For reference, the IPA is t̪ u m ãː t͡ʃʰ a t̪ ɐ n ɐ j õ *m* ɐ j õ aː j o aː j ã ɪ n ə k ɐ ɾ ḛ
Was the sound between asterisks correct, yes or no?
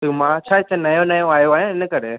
no